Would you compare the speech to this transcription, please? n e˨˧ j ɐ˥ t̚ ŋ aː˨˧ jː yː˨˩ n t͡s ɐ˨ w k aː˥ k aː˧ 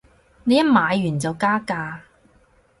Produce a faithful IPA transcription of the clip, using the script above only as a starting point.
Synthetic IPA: n e˨˧ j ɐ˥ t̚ m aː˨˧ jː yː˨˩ n t͡s ɐ˨ w k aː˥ k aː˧

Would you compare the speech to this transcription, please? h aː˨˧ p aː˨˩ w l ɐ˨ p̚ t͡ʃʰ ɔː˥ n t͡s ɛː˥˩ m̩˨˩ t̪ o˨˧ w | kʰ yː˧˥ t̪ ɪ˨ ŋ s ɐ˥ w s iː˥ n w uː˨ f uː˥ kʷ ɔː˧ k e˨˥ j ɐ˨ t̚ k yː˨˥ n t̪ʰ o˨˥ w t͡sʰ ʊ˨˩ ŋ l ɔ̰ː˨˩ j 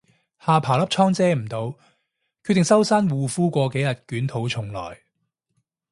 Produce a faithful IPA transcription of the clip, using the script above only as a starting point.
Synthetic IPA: h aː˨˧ pʰ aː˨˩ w l ɐ˥ p̚ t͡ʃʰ ɔː˥ ŋ t͡s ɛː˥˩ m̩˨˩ t̪ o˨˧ w | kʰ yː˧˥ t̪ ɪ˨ ŋ s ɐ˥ w s aː˥ n w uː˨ f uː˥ kʷ ɔː˧ k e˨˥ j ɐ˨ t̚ k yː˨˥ n t̪ʰ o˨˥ w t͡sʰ ʊ˨˩ ŋ l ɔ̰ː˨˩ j

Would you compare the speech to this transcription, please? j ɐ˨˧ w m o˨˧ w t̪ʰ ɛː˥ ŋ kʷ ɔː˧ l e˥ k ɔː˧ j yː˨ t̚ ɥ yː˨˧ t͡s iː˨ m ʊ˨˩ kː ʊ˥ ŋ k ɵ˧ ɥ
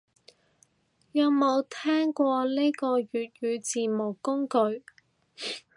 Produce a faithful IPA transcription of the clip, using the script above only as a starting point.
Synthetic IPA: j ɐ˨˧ w m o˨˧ w t̪ʰ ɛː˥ ŋ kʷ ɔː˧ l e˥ k ɔː˧ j yː˨ t̚ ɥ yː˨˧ t͡s iː˨ m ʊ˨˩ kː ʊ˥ ŋ k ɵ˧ ɥ

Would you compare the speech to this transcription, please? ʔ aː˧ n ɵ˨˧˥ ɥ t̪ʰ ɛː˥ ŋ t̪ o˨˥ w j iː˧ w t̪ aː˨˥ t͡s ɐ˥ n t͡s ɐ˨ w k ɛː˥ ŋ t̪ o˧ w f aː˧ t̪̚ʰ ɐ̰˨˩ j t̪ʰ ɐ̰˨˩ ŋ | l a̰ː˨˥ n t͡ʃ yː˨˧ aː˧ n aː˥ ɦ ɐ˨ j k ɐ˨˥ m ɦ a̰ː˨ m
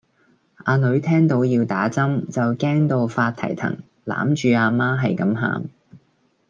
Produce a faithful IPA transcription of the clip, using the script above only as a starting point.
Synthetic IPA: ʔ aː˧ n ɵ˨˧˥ ɥ t̪ʰ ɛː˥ ŋ t̪ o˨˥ w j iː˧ w t̪ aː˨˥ t͡s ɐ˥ m t͡s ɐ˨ w k ɛː˥ ŋ t̪ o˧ w f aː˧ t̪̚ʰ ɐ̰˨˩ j t̪ʰ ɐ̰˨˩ ŋ | l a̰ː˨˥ m t͡ʃ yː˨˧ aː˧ m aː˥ ɦ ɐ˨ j k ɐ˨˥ m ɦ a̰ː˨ m

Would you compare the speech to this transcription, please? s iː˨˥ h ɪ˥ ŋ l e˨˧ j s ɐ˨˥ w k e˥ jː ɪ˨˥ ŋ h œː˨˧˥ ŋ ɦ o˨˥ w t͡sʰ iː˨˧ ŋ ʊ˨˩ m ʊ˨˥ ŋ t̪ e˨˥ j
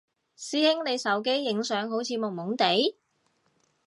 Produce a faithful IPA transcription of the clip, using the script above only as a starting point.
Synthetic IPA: s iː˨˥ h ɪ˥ ŋ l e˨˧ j s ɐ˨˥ w k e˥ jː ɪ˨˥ ŋ s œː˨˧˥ ŋ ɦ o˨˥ w t͡sʰ iː˨˧ m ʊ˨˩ m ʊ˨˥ ŋ t̪ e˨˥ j

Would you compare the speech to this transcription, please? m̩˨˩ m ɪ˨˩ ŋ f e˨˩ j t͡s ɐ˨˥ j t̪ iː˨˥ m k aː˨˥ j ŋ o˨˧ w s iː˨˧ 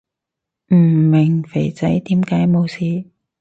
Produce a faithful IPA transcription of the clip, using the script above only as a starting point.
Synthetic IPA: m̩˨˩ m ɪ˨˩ ŋ f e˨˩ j t͡s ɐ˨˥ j t̪ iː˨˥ m k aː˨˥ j m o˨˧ w s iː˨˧

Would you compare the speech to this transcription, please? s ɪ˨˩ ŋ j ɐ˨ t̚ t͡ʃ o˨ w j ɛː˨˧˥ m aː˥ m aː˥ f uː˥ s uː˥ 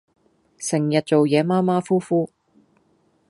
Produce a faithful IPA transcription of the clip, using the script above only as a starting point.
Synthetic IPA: s ɪ˨˩ ŋ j ɐ˨ t̚ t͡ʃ o˨ w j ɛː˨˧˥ m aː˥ m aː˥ f uː˥ f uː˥

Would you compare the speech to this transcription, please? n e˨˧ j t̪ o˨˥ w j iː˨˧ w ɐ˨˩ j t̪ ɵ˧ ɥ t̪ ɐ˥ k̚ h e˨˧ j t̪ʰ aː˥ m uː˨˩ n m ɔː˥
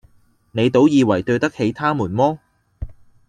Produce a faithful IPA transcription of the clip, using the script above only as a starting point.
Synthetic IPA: n e˨˧ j t̪ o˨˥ w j iː˨˧ w ɐ˨˩ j t̪ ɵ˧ ɥ t̪ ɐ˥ k̚ h e˨˧ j t̪ʰ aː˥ m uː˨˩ n m ɔː˥

